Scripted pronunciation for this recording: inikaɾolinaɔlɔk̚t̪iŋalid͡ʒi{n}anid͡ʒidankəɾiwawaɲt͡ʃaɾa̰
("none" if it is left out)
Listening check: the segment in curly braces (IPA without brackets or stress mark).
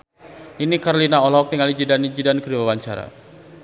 d